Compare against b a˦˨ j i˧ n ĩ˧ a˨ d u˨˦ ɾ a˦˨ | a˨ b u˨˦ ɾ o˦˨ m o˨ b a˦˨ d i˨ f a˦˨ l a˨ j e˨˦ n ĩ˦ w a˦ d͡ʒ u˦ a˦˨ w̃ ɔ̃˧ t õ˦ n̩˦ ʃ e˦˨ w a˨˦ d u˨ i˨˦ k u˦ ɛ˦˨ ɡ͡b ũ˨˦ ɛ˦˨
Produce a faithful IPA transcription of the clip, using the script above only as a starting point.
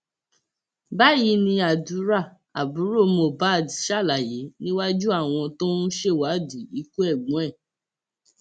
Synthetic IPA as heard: b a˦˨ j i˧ n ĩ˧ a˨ d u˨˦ ɾ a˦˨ | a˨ b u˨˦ ɾ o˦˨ m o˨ b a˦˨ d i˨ ʃ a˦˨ l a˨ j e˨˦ n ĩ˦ w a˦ d͡ʒ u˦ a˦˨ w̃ ɔ̃˧ t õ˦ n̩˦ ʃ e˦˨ w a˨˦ d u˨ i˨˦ k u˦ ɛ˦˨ ɡ͡b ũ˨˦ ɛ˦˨